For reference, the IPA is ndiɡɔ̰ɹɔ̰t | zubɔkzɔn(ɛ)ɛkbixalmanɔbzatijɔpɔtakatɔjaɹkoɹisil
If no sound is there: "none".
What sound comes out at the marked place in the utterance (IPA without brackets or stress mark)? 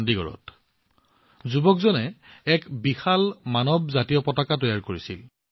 ɛ